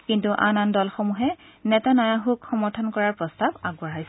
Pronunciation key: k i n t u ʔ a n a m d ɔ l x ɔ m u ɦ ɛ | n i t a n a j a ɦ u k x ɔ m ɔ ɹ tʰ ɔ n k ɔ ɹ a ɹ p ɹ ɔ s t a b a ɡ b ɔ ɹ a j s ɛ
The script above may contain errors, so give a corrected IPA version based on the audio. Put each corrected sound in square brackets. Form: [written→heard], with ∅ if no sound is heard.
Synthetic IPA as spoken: k i n t u ʔ a n a [m→n] d ɔ l x ɔ m u ɦ ɛ | n [i→ɛ] t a n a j a ɦ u k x ɔ m ɔ ɹ tʰ ɔ n k ɔ ɹ a ɹ p ɹ ɔ s t a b a ɡ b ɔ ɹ a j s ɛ